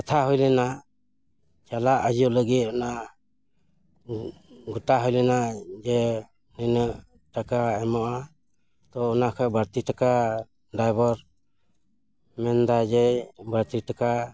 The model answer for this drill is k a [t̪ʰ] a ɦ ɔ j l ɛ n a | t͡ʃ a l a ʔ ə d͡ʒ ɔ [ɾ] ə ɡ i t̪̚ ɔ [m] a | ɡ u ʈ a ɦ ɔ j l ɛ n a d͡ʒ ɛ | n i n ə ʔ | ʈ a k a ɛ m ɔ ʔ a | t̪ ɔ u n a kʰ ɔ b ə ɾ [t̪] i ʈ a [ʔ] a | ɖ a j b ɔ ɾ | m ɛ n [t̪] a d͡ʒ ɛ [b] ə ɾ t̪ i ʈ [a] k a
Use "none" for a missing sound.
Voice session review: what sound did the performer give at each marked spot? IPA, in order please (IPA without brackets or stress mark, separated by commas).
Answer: t̪ʰ, l, n, t̪, k, d̪, b, a